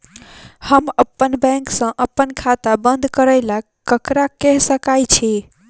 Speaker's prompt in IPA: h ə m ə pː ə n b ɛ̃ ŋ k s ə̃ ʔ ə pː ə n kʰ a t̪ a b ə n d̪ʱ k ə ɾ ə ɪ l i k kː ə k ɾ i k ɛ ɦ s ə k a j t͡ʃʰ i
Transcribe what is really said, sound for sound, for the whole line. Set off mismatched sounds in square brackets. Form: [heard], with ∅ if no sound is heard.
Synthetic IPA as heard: h ə m ə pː ə n b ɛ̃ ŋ k s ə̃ ʔ ə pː ə n kʰ a t̪ a b ə n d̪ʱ k ə ɾ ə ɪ l [a] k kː ə k ɾ [a] k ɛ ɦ s ə k a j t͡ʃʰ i